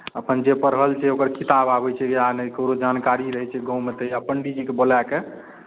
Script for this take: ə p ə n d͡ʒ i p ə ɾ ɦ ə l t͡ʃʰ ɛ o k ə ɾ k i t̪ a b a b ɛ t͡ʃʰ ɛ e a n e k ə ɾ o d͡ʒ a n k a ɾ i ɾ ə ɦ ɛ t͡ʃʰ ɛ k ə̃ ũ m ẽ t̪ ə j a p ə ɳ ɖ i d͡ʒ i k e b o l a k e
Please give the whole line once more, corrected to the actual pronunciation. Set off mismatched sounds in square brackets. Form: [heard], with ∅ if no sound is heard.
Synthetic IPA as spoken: ə p ə n d͡ʒ [e] p ə ɾ ɦ ə l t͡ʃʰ ɛ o k ə ɾ k i t̪ a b a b ɛ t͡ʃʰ ɛ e a n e k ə ɾ o d͡ʒ a n k a ɾ i ɾ ə ɦ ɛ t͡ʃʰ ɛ [ɡ] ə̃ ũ m [e] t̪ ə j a p ə ɳ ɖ i d͡ʒ i k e b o l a k e